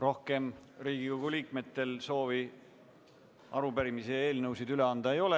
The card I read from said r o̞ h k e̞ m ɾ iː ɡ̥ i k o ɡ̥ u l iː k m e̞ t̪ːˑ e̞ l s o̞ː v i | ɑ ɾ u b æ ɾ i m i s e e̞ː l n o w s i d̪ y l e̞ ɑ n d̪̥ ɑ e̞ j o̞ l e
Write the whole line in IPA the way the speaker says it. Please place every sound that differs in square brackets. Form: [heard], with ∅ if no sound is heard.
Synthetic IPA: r o̞ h k e̞ m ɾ iː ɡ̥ i k o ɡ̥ u l iː k m e̞ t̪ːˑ e̞ l s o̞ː v i | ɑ ɾ u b æ ɾ i m i s e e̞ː l n [ɤ] w s i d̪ y l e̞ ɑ n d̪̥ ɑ e̞ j o̞ l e